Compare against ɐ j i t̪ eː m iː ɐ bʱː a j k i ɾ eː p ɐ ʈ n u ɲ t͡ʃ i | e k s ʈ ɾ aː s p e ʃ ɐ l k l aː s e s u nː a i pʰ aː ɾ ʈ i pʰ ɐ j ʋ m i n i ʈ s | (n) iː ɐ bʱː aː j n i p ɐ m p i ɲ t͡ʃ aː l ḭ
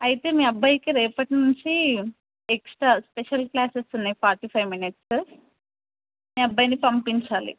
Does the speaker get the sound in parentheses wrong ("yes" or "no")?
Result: yes